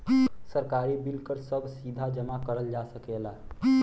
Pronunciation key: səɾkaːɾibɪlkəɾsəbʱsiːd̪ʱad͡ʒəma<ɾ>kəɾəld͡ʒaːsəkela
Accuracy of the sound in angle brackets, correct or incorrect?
incorrect